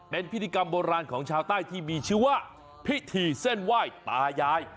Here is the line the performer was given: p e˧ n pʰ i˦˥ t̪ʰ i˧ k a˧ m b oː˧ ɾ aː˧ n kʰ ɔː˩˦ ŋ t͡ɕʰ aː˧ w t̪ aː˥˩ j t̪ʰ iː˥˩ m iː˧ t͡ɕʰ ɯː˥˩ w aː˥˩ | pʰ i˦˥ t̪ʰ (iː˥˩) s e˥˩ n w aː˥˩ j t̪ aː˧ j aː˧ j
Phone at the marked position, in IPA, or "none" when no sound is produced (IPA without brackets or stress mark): iː˧